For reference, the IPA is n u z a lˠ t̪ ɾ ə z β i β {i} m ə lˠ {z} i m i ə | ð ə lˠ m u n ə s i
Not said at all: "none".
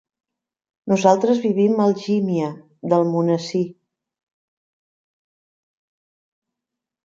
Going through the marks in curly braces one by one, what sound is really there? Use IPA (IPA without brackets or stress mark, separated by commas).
i, ʒ